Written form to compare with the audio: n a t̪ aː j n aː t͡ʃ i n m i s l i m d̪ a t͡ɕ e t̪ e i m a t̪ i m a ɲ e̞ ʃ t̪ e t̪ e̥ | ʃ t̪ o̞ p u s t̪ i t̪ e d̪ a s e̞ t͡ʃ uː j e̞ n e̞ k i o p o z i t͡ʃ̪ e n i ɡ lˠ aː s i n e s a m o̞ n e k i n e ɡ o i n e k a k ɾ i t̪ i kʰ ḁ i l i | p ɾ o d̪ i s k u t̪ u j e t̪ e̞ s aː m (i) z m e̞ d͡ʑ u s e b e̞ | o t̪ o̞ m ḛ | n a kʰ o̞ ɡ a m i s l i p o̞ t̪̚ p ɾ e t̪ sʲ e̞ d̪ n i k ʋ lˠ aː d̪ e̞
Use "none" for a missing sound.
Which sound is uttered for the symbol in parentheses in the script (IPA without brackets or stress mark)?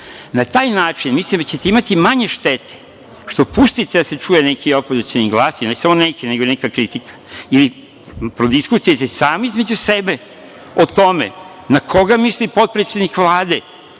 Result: i